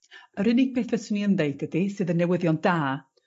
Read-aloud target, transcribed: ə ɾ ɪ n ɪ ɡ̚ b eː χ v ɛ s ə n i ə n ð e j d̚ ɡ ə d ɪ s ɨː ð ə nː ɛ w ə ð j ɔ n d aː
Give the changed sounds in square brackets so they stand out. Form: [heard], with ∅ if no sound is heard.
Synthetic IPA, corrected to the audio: ə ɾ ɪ n ɪ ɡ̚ b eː [θ] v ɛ s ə n i ə n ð e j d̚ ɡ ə d [i] s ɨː ð ə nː ɛ w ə ð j ɔ n d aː